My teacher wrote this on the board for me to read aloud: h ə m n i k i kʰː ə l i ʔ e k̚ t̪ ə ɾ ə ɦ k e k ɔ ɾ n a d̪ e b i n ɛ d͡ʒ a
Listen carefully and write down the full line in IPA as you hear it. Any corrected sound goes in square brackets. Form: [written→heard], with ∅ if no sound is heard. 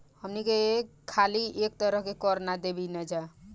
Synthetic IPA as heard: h ə m n i k [i→e] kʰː [ə→a] l i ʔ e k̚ t̪ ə ɾ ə ɦ k e k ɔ ɾ n a d̪ e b i n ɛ d͡ʒ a